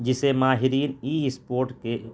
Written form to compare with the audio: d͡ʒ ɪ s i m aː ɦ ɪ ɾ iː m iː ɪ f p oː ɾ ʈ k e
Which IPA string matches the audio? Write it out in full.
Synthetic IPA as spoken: d͡ʒ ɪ s e m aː ɦ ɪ ɾ iː n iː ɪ s p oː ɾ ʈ k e